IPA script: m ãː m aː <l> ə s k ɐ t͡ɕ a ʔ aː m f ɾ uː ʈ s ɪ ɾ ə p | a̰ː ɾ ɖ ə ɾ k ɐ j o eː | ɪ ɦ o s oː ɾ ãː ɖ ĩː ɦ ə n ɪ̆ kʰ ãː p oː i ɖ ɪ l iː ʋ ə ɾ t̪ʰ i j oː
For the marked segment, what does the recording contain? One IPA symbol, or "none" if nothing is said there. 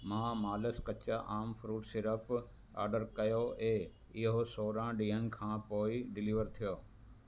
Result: l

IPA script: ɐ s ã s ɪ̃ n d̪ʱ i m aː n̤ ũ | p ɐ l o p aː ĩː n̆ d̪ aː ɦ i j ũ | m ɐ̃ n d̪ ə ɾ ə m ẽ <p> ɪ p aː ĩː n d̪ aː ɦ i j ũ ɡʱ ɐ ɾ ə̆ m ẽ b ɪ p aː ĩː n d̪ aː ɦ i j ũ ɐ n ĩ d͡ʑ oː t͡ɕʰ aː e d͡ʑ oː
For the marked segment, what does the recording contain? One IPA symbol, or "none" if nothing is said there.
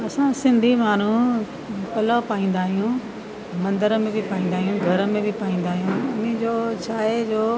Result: b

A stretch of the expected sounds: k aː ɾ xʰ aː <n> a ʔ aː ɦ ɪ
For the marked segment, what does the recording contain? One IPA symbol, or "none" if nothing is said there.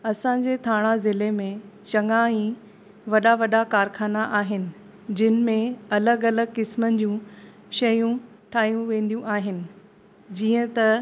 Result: n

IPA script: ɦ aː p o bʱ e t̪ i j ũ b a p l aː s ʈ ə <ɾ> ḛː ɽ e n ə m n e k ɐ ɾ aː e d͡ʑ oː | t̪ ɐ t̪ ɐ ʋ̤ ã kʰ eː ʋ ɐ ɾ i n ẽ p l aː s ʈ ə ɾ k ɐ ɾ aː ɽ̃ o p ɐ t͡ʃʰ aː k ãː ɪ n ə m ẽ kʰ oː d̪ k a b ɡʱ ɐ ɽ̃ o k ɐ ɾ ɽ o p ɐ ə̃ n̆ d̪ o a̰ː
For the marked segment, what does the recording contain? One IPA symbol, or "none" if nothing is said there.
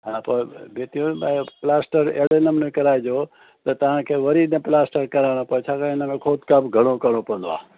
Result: ɾ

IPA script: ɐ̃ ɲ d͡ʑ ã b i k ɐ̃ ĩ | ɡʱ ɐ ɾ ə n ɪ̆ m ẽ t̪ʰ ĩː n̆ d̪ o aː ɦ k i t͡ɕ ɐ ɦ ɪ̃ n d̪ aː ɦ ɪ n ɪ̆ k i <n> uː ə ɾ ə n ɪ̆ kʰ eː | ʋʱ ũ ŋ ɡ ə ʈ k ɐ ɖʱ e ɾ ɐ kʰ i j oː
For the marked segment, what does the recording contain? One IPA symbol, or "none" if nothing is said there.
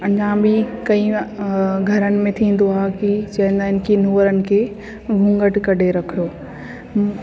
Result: n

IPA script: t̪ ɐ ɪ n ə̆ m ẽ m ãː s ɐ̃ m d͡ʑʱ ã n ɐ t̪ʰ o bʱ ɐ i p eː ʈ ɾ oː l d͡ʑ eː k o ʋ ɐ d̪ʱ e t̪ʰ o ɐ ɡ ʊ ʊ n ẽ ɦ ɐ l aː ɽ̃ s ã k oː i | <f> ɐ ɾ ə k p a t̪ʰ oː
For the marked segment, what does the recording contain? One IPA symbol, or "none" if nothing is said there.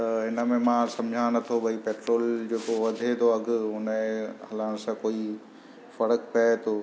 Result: f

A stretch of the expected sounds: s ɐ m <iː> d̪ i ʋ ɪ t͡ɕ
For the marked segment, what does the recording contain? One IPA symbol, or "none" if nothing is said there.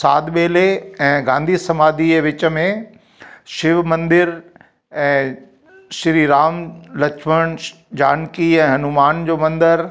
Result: aː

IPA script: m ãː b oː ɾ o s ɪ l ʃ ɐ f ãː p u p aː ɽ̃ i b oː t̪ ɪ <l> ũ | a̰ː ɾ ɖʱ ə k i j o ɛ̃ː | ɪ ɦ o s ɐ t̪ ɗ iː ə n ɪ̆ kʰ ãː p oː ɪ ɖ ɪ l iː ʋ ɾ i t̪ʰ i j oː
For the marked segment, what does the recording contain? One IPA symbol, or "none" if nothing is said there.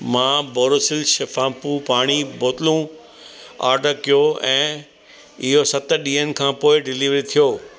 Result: l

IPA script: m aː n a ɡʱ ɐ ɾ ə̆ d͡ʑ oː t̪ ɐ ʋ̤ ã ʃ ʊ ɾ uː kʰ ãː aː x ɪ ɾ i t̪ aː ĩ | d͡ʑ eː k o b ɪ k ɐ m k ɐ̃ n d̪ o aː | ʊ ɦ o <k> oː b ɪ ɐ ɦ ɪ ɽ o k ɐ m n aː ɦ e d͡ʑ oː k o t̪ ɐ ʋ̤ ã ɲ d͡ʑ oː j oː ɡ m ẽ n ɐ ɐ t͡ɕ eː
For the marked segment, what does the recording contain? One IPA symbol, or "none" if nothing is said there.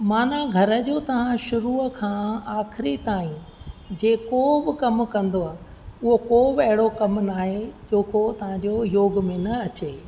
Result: k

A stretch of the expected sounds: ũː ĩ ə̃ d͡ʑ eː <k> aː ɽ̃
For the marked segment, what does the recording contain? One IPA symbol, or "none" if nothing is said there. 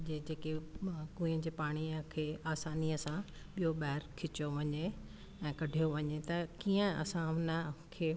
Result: p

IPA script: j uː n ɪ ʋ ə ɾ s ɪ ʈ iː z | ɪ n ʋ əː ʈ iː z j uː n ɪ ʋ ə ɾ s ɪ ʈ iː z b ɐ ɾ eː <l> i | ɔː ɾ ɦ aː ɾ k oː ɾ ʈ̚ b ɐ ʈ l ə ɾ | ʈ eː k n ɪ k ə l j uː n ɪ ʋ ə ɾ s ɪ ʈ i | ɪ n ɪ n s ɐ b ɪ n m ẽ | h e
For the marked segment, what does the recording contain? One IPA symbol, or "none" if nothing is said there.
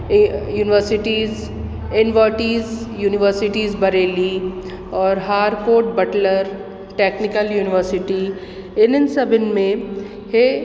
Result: l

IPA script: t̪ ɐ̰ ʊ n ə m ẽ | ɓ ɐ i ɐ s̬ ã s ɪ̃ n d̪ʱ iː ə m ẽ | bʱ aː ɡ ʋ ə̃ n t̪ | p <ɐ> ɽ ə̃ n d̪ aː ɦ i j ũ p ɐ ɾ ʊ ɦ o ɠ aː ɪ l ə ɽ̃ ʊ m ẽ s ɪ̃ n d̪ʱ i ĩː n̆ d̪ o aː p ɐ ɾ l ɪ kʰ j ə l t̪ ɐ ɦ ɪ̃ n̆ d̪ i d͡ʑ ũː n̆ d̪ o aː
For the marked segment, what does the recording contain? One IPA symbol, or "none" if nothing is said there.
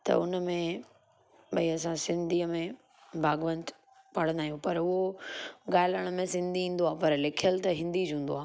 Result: ɐ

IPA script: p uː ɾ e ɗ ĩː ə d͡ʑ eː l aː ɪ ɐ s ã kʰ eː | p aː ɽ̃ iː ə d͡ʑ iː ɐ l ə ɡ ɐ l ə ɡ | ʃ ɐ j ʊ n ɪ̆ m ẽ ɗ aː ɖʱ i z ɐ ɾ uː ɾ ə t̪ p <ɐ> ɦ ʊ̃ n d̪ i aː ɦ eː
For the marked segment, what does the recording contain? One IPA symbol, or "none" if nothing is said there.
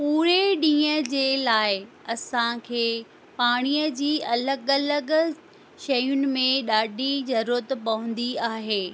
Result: ɐ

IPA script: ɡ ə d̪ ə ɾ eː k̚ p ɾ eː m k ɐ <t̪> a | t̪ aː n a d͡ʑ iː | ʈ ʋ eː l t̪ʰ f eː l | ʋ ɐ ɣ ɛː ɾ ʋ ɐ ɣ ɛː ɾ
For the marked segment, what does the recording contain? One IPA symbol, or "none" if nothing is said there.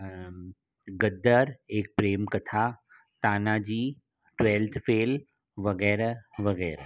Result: t̪ʰ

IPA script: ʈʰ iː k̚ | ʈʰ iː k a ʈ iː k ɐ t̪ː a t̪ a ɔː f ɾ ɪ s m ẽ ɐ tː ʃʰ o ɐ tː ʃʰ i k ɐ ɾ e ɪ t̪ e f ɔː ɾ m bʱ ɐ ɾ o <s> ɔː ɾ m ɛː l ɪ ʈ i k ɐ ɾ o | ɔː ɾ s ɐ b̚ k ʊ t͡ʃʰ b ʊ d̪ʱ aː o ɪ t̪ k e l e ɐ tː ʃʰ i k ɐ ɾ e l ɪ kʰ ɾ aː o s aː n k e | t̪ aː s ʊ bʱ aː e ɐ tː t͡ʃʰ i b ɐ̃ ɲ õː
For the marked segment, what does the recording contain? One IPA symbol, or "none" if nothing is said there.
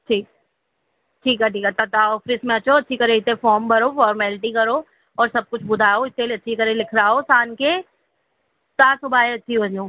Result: f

